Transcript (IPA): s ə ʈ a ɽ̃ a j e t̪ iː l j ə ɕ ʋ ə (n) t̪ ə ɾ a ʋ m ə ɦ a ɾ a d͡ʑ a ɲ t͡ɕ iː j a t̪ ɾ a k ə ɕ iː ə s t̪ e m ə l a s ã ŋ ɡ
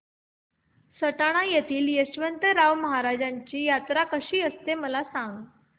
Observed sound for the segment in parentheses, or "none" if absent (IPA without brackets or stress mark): n